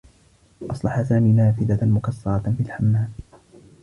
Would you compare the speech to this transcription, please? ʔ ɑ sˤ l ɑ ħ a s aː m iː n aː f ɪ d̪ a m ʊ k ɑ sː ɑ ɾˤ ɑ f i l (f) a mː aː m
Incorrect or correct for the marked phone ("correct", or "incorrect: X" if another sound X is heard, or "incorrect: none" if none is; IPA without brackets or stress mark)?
incorrect: ħ